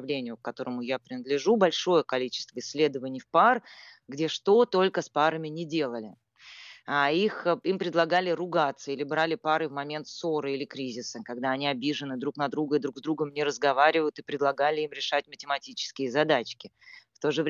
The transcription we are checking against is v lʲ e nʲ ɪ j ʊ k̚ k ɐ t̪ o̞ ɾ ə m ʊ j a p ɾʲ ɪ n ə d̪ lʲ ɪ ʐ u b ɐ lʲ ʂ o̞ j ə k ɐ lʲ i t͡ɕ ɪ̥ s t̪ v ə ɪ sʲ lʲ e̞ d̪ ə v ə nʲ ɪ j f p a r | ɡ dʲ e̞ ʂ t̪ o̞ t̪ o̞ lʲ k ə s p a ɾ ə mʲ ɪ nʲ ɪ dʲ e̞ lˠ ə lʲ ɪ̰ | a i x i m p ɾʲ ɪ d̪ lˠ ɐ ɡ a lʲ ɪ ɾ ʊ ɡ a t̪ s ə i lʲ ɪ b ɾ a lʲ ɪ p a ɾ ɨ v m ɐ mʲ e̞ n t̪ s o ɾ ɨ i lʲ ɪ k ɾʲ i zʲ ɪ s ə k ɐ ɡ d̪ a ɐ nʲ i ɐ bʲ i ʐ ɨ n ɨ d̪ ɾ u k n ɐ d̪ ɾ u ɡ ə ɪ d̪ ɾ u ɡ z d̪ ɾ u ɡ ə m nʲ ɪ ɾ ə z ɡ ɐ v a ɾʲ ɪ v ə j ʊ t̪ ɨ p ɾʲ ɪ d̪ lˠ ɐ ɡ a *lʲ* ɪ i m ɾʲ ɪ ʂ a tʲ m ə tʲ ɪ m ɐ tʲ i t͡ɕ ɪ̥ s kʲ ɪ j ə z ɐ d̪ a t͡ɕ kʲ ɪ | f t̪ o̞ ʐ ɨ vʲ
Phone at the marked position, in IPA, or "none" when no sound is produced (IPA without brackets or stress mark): lʲ